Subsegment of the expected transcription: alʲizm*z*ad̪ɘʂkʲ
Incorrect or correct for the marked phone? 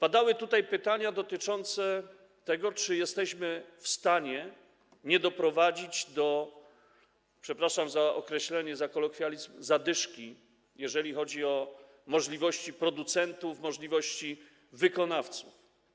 correct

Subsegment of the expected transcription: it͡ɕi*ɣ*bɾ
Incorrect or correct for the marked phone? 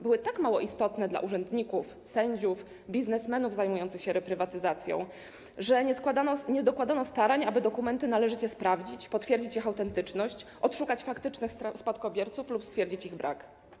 correct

